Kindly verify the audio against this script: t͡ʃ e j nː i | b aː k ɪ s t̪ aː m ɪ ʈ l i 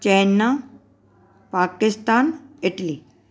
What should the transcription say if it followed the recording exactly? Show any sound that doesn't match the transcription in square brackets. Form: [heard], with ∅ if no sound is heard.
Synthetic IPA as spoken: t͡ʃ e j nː [a] | [p] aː k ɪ s t̪ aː [n] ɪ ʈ l i